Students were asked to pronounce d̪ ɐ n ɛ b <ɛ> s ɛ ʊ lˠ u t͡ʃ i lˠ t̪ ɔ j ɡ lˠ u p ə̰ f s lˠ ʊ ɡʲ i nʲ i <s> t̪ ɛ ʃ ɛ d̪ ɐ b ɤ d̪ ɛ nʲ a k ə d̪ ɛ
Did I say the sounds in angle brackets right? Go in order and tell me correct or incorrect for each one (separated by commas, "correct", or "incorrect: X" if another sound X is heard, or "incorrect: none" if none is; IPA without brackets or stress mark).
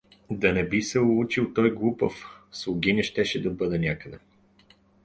incorrect: i, incorrect: ʃ